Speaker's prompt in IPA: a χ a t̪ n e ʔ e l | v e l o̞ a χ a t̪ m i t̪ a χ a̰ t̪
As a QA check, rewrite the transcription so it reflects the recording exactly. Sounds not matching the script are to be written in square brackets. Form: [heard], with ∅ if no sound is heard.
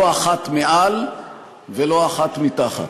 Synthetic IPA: a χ a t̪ [m] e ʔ [a] l | v e l o̞ a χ a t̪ m i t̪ a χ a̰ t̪